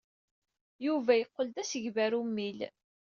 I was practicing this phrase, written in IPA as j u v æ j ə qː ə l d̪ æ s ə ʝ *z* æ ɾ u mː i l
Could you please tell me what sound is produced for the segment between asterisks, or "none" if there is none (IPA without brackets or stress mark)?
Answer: v